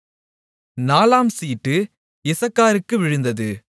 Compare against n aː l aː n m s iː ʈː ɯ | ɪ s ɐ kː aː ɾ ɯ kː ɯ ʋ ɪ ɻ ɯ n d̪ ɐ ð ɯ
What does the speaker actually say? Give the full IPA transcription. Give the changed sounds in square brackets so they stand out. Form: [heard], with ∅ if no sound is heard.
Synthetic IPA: n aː l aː [∅] m s iː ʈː ɯ | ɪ s ɐ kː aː ɾ ɯ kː ɯ ʋ ɪ ɻ ɯ n d̪ ɐ ð ɯ